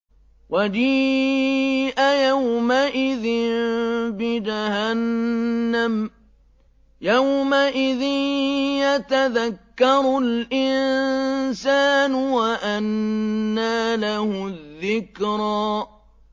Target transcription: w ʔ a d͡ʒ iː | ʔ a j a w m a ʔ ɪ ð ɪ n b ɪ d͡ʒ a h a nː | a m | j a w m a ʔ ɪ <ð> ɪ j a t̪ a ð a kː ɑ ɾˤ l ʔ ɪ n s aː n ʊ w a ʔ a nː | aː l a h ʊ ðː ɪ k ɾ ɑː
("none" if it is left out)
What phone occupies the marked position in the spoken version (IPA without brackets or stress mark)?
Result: ð